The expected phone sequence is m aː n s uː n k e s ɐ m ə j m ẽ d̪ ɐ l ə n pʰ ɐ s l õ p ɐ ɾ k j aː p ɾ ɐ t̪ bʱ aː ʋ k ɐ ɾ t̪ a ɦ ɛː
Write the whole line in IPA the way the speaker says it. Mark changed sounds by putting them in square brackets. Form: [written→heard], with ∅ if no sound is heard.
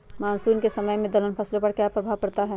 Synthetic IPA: m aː n s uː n k e s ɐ m ə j m ẽ d̪ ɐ l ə n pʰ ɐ s l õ p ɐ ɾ k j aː p ɾ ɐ [t̪→∅] bʱ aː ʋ k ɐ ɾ t̪ a ɦ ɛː